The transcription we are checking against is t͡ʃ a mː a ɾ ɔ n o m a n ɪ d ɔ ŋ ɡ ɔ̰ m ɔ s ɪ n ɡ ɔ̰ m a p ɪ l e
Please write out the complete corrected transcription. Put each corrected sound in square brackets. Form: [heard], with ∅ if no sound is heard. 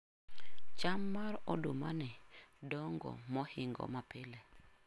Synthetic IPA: t͡ʃ a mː a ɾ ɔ [d] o m a n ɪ d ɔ ŋ ɡ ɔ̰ m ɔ [h] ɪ [ŋ] ɡ ɔ̰ m a p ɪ l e